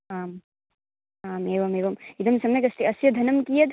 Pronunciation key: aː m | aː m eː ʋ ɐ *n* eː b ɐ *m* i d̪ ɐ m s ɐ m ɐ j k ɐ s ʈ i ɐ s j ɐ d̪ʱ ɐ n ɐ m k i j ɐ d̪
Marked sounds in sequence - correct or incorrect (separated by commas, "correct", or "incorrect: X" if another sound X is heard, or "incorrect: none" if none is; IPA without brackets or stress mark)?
incorrect: m, correct